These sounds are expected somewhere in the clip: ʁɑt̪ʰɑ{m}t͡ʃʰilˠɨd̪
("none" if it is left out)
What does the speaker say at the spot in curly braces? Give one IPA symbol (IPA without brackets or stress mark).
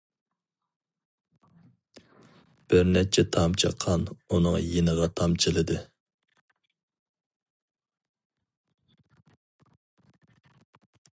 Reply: m